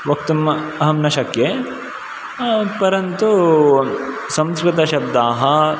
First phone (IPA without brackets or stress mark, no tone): ʋ